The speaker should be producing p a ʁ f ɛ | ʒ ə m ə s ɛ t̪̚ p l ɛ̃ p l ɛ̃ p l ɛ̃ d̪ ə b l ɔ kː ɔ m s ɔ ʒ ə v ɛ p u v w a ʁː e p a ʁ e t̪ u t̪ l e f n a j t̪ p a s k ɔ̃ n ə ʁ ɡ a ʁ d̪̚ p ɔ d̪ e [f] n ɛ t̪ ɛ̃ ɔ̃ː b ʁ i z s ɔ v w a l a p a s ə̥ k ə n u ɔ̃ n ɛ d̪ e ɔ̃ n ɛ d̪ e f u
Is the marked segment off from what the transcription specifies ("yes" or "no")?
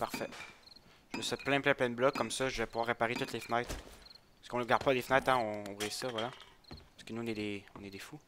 no